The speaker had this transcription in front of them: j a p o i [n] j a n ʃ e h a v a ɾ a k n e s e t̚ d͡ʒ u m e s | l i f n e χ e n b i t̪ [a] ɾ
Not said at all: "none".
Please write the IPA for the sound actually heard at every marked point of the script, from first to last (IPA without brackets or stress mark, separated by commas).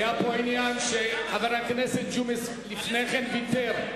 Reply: n, e